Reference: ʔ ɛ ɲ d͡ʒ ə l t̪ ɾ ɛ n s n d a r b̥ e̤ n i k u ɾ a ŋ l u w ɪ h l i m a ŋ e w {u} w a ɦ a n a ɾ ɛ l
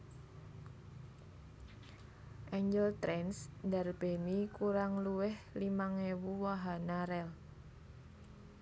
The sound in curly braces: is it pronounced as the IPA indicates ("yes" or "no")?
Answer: yes